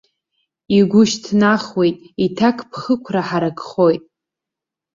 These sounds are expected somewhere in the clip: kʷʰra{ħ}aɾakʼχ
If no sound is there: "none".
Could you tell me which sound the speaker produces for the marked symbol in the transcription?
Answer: ħ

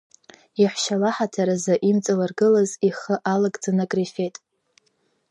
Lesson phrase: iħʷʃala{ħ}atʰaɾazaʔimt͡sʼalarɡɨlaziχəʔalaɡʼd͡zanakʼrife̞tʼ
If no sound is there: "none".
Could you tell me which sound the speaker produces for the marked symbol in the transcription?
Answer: ħ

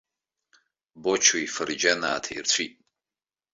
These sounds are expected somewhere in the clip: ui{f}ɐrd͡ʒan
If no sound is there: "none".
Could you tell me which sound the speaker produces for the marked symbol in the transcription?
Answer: f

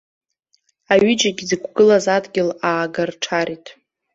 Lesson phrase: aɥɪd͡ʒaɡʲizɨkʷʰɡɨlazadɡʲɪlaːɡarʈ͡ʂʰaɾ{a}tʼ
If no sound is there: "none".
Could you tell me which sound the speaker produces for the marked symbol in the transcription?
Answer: i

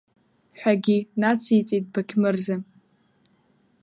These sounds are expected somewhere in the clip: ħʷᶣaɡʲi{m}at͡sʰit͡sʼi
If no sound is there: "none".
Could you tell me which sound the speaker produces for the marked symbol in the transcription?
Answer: n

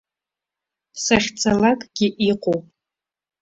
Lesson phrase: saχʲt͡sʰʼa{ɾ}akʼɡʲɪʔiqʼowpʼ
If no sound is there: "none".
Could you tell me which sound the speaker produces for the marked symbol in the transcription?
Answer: l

